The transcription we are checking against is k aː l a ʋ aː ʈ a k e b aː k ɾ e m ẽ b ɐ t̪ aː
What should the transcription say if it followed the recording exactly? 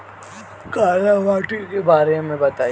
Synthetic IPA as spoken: k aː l a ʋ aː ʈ i k e b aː ɾ e m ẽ b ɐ t̪ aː